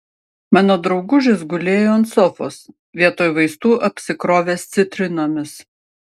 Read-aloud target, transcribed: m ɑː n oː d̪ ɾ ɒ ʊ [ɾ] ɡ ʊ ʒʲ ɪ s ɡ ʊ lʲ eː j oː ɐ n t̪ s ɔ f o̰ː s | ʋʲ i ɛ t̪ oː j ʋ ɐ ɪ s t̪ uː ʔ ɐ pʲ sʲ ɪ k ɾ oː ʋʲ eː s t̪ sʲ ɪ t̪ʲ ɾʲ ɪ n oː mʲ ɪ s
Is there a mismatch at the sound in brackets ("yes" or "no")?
yes